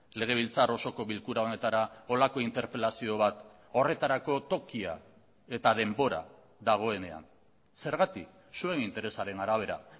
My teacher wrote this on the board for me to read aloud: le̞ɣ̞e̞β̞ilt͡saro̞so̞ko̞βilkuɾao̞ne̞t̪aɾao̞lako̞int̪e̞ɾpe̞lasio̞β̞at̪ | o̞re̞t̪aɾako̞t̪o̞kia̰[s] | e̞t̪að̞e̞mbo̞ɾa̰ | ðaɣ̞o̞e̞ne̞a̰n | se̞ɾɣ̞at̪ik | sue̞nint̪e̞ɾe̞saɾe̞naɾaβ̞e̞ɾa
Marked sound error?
yes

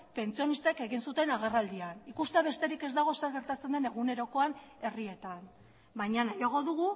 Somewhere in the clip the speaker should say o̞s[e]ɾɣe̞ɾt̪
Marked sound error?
no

